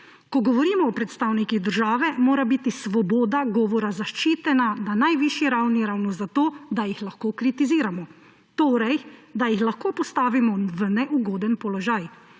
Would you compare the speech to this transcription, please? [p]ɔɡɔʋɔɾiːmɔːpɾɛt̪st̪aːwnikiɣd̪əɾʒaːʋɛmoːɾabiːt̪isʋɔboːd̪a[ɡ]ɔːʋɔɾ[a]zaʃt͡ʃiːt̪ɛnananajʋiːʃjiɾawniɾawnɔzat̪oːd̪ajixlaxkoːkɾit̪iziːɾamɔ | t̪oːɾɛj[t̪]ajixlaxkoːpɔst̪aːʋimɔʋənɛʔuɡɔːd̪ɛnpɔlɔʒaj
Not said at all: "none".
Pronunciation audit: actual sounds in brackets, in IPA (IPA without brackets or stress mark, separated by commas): k, ɡ, a, d̪